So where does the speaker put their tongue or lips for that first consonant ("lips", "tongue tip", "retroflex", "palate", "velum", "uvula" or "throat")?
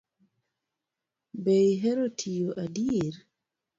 lips